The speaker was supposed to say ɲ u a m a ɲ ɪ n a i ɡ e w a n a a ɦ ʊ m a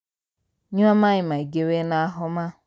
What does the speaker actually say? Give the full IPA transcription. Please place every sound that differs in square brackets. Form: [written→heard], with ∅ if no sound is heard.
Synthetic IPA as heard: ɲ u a m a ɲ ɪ [n→m] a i ɡ e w [a→e] n a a ɦ ʊ m a